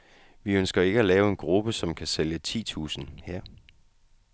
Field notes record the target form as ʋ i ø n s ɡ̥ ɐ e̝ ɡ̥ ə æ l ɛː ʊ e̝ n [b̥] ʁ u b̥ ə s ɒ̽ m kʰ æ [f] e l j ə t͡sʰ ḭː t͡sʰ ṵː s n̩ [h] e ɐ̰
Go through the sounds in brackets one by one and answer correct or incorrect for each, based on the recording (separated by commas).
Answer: incorrect, incorrect, correct